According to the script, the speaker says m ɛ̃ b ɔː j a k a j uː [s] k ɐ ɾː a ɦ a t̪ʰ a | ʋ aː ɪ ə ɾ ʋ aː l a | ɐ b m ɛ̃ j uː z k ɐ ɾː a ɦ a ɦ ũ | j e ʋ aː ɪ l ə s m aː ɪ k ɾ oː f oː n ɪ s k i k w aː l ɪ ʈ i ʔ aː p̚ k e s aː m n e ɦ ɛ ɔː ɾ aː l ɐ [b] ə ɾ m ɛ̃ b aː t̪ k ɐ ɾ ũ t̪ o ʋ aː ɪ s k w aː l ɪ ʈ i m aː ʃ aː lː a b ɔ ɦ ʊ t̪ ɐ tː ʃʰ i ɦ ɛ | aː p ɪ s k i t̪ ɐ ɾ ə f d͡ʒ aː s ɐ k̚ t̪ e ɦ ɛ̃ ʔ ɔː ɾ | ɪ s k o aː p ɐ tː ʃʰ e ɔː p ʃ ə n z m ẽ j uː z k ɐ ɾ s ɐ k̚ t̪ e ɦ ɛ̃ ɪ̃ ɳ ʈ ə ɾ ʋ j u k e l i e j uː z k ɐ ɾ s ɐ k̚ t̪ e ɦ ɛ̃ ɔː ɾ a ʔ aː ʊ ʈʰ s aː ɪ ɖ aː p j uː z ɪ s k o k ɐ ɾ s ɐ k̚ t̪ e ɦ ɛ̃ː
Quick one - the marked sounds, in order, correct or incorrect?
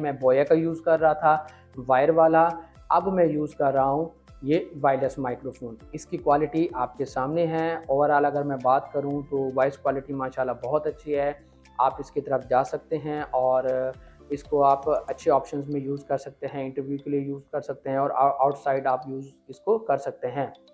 incorrect: z, incorrect: ɡ

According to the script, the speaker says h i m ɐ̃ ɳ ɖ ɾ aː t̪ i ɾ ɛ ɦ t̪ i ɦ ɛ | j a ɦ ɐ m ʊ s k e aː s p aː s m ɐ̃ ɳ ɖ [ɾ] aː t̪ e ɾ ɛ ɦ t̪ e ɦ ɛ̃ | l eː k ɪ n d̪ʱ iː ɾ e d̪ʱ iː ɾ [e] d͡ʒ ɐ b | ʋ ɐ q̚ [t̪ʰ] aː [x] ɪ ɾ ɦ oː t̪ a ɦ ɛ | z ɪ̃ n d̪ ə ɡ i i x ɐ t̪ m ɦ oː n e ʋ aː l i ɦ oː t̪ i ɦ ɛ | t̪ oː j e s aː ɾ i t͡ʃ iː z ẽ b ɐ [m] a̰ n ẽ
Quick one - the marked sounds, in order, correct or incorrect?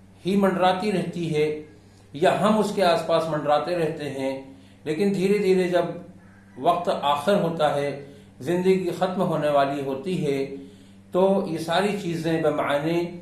correct, correct, incorrect: t̪, correct, correct

